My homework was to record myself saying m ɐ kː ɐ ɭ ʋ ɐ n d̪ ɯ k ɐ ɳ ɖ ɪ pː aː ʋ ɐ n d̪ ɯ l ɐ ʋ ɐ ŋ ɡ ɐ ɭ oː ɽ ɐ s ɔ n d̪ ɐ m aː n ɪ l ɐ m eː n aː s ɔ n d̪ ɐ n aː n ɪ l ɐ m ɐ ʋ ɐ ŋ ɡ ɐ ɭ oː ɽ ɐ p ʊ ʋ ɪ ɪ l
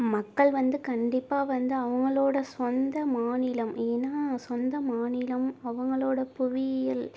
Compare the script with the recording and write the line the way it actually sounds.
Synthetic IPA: m ɐ kː ɐ ɭ ʋ ɐ n d̪ ɯ k ɐ ɳ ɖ ɪ pː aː ʋ ɐ n d̪ ɯ ɐ ʋ ɐ ŋ ɡ ɐ ɭ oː ɽ ɐ s ɔ n d̪ ɐ m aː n ɪ l ɐ m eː n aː s ɔ n d̪ ɐ m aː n ɪ l ɐ m ɐ ʋ ɐ ŋ ɡ ɐ ɭ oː ɽ ɐ p ʊ ʋ ɪ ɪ l